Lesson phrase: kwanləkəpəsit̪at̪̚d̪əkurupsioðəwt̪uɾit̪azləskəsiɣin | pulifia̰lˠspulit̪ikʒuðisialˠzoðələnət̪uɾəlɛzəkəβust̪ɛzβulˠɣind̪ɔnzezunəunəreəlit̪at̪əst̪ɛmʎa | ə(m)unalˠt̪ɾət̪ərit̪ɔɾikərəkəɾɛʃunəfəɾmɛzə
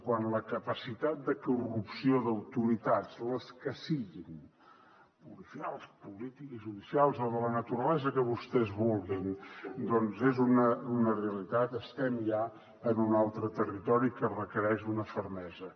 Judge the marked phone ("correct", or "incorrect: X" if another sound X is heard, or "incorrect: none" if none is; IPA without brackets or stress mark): incorrect: n